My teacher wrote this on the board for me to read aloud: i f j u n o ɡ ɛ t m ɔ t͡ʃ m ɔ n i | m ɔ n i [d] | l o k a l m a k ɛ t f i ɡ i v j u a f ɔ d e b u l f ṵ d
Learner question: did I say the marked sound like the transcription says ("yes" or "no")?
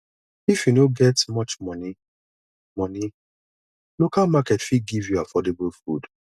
no